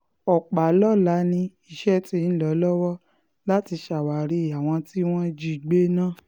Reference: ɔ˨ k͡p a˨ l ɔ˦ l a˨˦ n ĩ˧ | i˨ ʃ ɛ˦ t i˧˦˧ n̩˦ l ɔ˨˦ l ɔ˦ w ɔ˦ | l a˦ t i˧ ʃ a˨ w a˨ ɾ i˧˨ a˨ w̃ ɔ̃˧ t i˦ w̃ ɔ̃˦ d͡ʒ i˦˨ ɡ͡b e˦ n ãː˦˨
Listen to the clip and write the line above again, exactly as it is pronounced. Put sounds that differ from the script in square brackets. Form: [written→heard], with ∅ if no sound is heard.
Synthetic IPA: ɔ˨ k͡p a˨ l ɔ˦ l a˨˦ n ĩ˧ | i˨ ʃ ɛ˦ t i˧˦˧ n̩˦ l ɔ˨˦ l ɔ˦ w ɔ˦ | l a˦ t i˧ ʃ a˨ w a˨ ɾ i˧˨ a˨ w̃ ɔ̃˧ t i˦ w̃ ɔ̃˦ d͡ʒ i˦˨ ɡ͡b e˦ n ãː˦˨